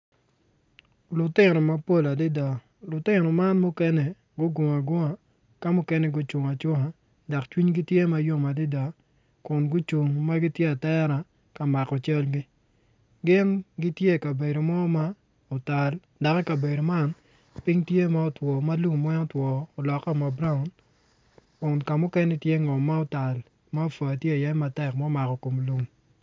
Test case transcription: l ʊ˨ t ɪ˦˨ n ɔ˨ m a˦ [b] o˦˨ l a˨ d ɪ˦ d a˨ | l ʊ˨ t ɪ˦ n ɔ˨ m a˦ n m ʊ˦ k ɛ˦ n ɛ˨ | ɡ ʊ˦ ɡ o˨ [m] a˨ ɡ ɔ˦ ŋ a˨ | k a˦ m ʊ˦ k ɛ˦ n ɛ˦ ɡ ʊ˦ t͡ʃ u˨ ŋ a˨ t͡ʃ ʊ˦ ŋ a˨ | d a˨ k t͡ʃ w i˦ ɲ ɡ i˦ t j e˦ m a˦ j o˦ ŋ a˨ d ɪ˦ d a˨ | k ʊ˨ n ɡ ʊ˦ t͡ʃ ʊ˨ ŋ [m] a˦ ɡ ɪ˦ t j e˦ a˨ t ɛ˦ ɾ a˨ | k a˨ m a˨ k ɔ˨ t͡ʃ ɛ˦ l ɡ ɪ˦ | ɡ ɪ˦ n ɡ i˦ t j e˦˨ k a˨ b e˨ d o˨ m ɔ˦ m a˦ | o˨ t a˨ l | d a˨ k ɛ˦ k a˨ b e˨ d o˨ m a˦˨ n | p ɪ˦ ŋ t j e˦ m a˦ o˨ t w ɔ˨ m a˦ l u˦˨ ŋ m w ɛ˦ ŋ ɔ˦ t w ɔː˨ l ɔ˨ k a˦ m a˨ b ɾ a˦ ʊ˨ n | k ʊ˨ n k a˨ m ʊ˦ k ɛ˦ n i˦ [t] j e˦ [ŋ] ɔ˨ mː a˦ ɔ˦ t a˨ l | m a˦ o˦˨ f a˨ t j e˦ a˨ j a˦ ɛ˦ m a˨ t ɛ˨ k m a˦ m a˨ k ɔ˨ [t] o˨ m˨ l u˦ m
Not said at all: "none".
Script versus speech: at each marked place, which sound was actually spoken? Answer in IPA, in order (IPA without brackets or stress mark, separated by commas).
p, ŋ, m, t, ŋ, k